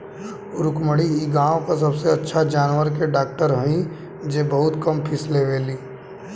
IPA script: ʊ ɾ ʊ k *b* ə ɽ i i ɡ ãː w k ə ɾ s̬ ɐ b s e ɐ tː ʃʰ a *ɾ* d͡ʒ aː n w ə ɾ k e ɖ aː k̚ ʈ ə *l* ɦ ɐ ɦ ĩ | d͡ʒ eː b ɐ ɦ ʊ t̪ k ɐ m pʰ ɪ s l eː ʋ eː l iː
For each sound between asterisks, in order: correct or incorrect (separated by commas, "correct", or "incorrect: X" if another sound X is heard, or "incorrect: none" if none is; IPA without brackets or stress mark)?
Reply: incorrect: m, incorrect: none, incorrect: ɾ